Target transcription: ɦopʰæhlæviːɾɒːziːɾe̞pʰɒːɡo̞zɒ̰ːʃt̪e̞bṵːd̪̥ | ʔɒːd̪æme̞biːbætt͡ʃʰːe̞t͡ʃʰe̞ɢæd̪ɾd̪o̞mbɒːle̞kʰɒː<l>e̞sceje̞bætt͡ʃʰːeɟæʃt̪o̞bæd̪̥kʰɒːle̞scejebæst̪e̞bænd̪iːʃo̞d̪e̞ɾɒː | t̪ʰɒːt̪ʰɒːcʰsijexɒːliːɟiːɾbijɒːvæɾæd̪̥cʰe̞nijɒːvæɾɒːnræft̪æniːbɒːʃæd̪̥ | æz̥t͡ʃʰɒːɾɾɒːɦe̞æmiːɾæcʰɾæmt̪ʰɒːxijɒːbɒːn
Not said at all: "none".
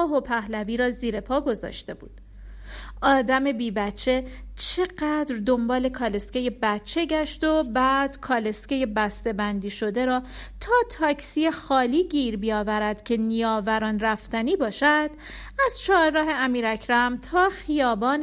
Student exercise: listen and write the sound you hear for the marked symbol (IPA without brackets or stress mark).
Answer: l